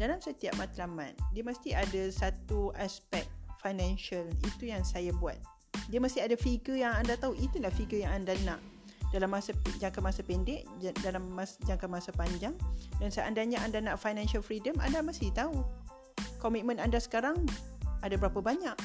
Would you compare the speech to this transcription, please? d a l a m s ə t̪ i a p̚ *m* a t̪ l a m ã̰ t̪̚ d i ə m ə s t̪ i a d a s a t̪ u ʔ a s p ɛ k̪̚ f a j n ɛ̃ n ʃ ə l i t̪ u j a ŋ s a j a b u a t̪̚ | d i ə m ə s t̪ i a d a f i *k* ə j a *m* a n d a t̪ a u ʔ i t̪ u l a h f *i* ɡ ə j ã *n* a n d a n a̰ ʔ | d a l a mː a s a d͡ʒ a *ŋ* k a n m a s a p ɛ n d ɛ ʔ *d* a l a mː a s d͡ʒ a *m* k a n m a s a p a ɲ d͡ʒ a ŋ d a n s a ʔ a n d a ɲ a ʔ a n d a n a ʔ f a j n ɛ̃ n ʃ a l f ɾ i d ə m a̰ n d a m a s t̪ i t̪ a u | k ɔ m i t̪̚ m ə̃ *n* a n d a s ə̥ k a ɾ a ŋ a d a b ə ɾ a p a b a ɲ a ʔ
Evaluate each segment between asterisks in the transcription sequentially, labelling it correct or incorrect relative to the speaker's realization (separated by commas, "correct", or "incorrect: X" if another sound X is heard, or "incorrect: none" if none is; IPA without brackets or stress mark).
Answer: correct, incorrect: ɡ, incorrect: ŋ, correct, incorrect: ŋ, correct, correct, incorrect: ŋ, correct